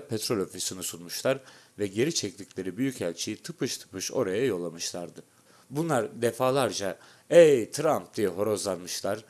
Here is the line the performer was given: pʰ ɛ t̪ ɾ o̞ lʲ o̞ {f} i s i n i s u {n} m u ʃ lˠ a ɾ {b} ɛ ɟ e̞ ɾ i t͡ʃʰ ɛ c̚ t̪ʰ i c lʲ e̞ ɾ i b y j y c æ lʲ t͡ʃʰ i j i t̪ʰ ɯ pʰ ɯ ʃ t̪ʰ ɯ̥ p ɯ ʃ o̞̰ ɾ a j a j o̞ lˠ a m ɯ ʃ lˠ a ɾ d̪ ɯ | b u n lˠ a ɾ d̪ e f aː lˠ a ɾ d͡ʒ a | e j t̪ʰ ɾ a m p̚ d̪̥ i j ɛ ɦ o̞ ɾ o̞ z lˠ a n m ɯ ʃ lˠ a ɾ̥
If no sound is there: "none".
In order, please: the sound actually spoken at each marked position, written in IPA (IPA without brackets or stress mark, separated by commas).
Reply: f, n, v